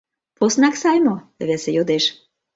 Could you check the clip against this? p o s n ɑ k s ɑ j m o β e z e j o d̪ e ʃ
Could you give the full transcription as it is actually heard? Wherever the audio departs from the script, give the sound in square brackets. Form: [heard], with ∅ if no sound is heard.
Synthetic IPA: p o s n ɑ k s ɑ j m o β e [s] e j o d̪ e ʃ